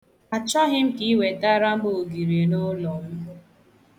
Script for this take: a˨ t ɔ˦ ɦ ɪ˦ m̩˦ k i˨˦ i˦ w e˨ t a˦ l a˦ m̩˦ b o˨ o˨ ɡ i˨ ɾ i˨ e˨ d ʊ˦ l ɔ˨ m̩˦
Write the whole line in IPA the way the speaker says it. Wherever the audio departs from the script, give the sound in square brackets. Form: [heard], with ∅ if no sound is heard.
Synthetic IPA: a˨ [t͡ʃ] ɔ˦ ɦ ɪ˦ m̩˦ k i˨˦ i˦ w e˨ t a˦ [ɾ] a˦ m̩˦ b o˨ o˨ ɡ i˨ ɾ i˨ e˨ [n] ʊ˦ l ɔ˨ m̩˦